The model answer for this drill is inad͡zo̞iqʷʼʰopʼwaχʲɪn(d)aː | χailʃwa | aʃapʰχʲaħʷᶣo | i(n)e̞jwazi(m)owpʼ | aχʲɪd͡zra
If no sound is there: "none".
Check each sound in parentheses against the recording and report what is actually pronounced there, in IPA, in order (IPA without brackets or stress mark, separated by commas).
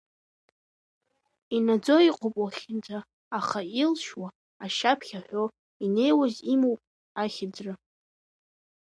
d͡z, n, m